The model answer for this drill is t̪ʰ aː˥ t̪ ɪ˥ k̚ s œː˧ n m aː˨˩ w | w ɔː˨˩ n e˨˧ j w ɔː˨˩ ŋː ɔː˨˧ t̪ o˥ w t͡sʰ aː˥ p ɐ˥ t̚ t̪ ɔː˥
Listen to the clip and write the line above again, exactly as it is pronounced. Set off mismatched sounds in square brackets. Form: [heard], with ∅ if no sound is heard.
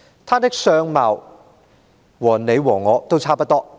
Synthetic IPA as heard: t̪ʰ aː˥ t̪ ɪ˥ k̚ s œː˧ [ŋ] m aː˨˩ w | w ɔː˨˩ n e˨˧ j w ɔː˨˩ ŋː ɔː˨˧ t̪ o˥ w t͡sʰ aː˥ p ɐ˥ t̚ t̪ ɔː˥

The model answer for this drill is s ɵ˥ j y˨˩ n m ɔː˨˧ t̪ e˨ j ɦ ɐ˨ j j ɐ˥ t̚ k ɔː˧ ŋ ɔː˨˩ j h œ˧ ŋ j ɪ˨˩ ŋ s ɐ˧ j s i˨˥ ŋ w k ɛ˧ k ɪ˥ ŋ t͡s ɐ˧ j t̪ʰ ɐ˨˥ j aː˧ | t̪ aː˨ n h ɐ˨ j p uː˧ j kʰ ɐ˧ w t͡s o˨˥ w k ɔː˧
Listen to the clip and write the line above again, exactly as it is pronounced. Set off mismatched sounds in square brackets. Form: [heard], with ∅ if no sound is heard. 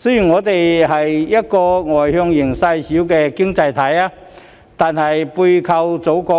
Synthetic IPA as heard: s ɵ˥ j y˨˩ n [ŋ] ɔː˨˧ t̪ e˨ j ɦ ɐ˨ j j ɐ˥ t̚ k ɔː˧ ŋ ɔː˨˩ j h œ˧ ŋ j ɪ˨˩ ŋ s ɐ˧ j s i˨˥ [∅] w k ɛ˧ k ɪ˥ ŋ t͡s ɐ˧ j t̪ʰ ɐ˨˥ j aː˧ | t̪ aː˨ n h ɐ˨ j p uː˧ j kʰ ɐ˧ w t͡s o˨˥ w k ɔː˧

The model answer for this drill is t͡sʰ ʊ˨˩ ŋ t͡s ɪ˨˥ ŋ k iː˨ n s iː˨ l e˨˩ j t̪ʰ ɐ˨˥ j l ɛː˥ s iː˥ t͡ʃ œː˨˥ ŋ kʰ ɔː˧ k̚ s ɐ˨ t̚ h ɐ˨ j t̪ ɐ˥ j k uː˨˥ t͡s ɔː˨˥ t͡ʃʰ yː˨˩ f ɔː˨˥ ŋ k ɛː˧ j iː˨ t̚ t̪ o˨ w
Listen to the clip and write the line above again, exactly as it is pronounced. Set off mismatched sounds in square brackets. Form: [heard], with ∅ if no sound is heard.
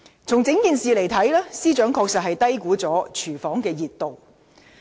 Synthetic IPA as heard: t͡sʰ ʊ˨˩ ŋ t͡s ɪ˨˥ ŋ k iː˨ n s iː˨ l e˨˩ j t̪ʰ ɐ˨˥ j l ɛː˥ s iː˥ t͡ʃ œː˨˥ ŋ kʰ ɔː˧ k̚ s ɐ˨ t̚ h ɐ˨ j t̪ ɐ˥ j k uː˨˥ t͡s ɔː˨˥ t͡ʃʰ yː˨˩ f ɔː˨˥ ŋ k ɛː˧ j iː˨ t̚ t̪ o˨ w

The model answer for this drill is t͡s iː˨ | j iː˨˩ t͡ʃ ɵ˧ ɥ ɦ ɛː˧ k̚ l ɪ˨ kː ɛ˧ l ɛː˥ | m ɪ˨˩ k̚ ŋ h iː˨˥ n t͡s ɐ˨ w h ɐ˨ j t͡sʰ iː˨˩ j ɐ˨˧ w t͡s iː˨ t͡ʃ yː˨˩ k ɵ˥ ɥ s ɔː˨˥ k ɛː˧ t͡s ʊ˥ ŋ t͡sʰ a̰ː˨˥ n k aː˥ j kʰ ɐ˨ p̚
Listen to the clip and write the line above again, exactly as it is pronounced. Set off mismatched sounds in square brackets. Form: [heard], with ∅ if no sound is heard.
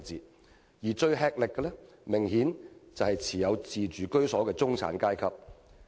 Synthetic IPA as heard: t͡s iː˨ | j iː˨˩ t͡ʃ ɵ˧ ɥ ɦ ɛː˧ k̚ l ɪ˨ kː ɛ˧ l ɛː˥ | m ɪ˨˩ [∅] ŋ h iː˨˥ n t͡s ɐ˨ w h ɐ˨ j t͡sʰ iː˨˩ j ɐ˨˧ w t͡s iː˨ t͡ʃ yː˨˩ k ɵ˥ ɥ s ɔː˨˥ k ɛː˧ t͡s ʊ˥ ŋ t͡sʰ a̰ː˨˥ n k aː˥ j kʰ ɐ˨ p̚

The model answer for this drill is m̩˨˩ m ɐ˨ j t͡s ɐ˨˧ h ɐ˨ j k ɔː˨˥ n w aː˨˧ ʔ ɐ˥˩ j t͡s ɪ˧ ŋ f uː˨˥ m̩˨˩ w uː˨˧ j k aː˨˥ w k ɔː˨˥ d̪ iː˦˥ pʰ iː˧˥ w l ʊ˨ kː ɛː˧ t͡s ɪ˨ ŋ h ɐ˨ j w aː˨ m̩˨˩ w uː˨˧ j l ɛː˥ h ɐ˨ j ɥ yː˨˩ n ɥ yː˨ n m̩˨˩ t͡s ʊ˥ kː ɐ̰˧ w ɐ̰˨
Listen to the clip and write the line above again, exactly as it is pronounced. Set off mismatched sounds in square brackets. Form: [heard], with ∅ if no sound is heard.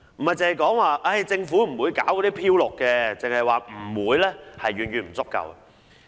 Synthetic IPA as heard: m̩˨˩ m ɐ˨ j t͡s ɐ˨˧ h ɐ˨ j k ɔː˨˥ [ŋ] w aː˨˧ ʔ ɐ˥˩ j t͡s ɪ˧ ŋ f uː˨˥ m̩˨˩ w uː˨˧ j k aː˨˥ w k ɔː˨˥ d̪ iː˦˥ pʰ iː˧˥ w l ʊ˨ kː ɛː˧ t͡s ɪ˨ ŋ h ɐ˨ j w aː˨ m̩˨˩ w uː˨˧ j l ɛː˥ h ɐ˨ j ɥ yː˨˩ n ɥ yː˨ n m̩˨˩ t͡s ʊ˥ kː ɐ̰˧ w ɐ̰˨

